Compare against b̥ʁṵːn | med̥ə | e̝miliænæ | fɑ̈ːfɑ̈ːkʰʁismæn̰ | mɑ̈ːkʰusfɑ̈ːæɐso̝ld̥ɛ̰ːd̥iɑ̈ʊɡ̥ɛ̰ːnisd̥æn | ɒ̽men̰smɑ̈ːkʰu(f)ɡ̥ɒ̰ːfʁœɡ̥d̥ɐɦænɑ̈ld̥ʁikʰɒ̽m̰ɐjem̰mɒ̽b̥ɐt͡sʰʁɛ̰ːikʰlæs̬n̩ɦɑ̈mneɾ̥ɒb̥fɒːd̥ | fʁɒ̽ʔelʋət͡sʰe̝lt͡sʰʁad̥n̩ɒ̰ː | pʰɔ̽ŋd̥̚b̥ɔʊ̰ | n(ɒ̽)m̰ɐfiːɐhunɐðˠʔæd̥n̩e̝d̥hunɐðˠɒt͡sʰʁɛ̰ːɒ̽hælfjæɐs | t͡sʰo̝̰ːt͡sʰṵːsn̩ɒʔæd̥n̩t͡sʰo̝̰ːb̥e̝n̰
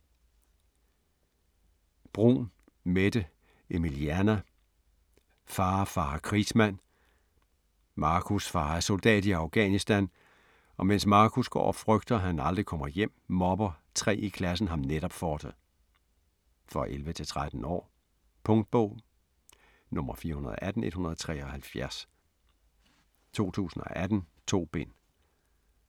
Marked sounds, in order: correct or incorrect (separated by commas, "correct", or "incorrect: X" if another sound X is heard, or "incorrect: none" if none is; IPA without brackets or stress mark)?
incorrect: s, incorrect: ɔ̽